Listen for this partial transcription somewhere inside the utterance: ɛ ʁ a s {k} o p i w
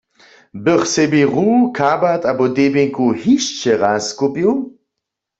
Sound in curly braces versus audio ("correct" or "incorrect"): correct